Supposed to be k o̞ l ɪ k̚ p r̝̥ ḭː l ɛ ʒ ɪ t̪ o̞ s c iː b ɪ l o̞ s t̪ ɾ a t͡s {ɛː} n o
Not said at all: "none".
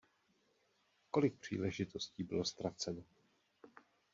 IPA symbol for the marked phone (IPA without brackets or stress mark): ɛ